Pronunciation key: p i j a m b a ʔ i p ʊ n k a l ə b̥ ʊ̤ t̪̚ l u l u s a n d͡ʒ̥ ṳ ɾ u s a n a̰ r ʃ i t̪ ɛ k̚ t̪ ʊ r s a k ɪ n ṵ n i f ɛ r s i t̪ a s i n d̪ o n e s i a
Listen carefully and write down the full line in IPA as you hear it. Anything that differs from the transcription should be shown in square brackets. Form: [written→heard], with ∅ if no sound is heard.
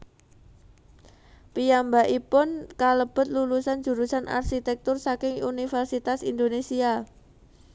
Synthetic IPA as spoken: p i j a m b a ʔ i p ʊ n k a l ə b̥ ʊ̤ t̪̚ l u l u s a n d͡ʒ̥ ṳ ɾ u s a n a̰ r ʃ i t̪ ɛ k̚ t̪ ʊ r s a k ɪ [n→ŋ] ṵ n i f ɛ r s i t̪ a s i n d̪ o n e s i a